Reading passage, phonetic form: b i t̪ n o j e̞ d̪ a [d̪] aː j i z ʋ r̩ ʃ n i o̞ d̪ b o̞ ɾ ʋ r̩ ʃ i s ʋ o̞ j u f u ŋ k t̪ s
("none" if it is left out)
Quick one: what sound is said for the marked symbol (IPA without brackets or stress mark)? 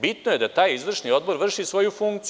t̪